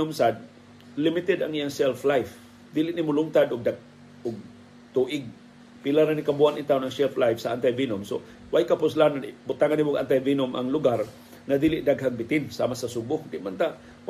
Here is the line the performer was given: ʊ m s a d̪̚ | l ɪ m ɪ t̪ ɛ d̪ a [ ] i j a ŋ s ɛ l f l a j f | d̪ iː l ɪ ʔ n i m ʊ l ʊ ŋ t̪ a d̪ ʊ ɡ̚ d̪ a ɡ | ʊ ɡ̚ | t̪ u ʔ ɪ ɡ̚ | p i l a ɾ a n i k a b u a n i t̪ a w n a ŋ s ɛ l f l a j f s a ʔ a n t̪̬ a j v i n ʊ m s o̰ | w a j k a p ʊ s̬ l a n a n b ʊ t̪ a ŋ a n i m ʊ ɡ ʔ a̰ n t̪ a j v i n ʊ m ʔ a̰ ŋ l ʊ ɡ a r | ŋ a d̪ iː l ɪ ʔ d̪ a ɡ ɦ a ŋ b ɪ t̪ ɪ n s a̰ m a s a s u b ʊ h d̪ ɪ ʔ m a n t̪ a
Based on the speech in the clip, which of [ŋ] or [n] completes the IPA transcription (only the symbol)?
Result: ŋ